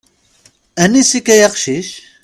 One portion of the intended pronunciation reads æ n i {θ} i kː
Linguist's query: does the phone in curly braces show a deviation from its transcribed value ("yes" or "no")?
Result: yes